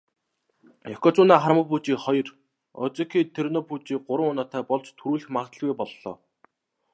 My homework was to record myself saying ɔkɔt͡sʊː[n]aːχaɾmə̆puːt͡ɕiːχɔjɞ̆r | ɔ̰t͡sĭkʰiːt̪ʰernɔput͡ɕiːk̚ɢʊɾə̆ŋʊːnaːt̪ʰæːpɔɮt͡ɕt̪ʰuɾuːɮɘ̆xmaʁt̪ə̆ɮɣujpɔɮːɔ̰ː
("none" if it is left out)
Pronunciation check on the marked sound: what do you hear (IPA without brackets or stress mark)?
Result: n